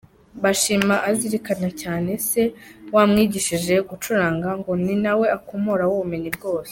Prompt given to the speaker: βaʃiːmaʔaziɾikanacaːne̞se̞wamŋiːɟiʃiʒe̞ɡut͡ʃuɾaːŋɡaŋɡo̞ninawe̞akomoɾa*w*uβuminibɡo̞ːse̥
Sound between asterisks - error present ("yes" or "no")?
no